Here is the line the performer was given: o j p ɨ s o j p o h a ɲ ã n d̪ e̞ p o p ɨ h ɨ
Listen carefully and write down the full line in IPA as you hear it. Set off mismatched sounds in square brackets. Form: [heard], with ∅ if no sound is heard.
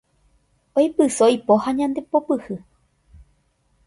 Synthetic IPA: o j p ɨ s o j p o h a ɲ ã n d̪ e̞ p o p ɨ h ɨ